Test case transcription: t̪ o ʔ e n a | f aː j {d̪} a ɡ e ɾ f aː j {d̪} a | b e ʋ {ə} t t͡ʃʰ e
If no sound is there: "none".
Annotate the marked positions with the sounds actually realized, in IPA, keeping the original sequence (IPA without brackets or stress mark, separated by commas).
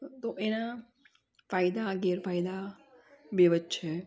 d̪, d̪, ə